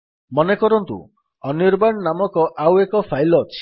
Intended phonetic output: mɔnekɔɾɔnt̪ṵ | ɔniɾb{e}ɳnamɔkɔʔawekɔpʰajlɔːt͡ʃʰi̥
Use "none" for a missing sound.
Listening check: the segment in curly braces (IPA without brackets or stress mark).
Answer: a